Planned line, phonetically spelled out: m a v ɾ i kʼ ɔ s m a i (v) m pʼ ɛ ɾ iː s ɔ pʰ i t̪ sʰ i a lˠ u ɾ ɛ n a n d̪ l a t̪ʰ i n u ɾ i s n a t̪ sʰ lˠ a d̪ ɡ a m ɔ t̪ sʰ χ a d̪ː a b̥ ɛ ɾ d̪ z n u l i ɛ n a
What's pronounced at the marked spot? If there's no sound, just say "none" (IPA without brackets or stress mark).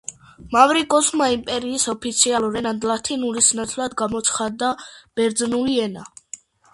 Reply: none